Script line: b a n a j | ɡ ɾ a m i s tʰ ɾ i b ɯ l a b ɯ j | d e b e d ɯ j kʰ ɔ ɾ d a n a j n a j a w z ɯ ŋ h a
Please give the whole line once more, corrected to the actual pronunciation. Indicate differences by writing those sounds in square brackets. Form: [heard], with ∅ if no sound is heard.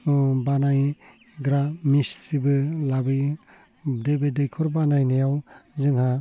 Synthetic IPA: b a n a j | ɡ ɾ a m i s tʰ ɾ i b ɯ l a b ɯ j | d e b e d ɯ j kʰ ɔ ɾ [b] a n a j n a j a w z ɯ ŋ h a

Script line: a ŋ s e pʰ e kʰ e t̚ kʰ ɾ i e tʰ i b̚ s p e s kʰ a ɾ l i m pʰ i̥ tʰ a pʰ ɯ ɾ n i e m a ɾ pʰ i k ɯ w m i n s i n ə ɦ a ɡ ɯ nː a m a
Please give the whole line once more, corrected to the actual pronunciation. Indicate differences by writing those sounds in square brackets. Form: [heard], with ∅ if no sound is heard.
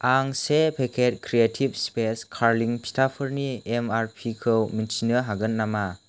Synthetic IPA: a ŋ s e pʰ e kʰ e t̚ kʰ ɾ i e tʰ i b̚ s p e s kʰ a ɾ l i [ŋ] pʰ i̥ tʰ a pʰ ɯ ɾ n i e m a ɾ pʰ i [kʰ] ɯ w m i n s i n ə ɦ a ɡ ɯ nː a m a

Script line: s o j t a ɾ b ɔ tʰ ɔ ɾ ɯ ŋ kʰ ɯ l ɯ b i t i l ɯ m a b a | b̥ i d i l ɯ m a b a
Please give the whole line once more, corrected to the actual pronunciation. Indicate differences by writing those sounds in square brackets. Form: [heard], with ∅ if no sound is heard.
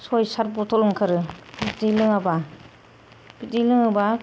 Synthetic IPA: s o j [s] a ɾ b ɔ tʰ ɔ [l] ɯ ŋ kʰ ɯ [ɾ] ɯ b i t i l ɯ [ŋ] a b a | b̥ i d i l ɯ [ŋ] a b a

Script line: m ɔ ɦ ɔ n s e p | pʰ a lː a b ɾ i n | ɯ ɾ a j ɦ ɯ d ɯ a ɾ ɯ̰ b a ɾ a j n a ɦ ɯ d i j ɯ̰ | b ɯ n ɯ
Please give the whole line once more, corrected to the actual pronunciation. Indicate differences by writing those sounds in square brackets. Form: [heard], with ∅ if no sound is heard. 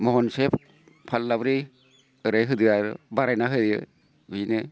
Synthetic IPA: m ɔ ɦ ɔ n s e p | pʰ a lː a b ɾ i [∅] | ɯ ɾ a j ɦ ɯ d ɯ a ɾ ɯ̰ b a ɾ a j n a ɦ ɯ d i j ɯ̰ | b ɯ n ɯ

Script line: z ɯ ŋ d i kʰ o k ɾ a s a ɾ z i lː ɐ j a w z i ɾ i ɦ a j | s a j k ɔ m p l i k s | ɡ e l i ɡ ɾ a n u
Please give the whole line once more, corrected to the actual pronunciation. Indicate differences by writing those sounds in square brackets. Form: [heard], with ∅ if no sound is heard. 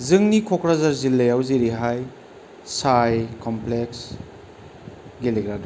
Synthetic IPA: z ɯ ŋ [n] i kʰ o k ɾ a [z] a ɾ z i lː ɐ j a w z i ɾ i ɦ a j | s a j k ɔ m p l [e] k s | ɡ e l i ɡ ɾ a [d] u

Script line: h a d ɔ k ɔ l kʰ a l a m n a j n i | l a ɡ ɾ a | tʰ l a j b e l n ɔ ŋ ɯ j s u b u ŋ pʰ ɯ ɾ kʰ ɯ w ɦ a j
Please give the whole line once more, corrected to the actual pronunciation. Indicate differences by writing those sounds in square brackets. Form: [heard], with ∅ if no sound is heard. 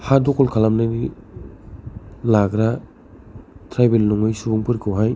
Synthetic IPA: h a d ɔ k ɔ l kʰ a l a m n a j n i | l a ɡ ɾ a | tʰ [ɾ] a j b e l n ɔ ŋ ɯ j s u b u ŋ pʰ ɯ ɾ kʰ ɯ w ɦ a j

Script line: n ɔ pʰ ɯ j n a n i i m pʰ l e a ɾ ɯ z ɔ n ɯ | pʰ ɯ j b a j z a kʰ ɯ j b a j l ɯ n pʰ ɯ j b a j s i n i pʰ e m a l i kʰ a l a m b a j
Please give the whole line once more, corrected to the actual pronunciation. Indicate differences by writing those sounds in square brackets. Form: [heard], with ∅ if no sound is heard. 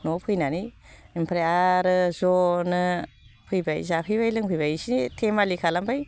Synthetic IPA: n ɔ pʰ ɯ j n a n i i m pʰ [ɾ] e a ɾ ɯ z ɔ n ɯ | pʰ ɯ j b a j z a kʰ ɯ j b a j l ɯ [ŋ] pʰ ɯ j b a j s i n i [tʰ] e m a l i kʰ a l a m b a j

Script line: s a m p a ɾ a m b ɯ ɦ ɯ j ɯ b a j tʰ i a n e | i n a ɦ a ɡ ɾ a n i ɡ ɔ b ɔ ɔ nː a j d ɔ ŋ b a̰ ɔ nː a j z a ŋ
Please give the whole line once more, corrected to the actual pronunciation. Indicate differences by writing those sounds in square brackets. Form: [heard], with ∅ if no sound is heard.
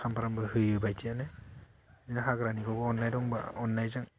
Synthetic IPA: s a m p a ɾ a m b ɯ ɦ ɯ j ɯ b a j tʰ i a n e | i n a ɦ a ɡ ɾ a n i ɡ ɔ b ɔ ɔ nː a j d ɔ ŋ b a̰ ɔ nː a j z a ŋ

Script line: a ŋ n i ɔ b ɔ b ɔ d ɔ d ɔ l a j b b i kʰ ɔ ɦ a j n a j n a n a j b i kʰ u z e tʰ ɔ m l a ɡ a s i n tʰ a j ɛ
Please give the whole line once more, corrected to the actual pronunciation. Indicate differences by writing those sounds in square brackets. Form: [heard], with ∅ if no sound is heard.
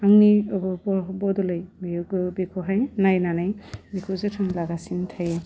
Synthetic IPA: a ŋ n i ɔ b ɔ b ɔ [b] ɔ d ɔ l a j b b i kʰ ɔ ɦ a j n a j n a n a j b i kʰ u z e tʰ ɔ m l a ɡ a s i n tʰ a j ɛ

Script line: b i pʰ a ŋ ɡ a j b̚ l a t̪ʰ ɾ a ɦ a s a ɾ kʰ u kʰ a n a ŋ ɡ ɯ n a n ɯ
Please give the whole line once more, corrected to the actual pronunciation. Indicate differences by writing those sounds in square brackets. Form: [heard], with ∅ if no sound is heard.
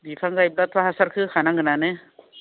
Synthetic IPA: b i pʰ a ŋ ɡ a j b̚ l a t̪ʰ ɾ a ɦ a s a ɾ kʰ [ɯ] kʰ a n a ŋ ɡ ɯ n a n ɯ

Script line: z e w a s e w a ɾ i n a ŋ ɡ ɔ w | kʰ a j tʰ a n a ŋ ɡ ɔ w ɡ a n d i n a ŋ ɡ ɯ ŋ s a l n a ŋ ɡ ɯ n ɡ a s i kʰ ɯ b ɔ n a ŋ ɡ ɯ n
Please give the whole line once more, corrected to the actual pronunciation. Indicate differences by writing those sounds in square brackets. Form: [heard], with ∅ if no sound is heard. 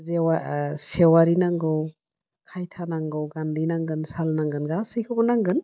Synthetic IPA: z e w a s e w a ɾ i n a ŋ ɡ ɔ w | kʰ a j tʰ a n a ŋ ɡ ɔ w ɡ a n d i n a ŋ ɡ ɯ [n] s a l n a ŋ ɡ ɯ n ɡ a s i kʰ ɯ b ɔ n a ŋ ɡ ɯ n

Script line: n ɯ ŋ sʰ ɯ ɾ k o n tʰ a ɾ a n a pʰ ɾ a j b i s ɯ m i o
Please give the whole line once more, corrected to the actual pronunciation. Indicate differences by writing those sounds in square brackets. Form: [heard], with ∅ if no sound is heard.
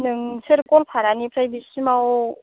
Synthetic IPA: n ɯ ŋ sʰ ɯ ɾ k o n [pʰ] a ɾ a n [i] pʰ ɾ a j b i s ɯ m [a] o

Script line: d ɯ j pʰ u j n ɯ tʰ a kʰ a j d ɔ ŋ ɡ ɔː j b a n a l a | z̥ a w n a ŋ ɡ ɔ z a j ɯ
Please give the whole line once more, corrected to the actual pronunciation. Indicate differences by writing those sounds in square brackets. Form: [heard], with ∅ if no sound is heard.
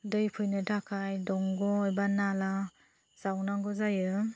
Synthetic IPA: d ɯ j pʰ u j n ɯ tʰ a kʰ a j d ɔ ŋ ɡ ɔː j b a n a l a | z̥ a w n a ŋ ɡ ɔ z a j ɯ

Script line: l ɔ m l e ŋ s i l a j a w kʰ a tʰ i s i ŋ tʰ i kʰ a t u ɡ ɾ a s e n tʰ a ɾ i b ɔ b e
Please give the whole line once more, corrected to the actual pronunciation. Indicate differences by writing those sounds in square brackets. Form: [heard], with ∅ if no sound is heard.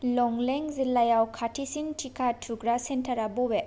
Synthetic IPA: l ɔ [ŋ] l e ŋ [z] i l a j a w kʰ a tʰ i s i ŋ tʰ i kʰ a [tʰ] u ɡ ɾ a s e n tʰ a ɾ [a] b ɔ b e

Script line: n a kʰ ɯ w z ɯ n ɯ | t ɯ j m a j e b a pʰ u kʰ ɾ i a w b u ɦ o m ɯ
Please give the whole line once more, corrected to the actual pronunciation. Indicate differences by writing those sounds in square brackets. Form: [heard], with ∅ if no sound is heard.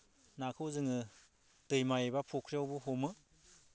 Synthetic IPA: n a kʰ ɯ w z ɯ [ŋ] ɯ | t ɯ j m a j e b a pʰ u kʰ ɾ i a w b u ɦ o m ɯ

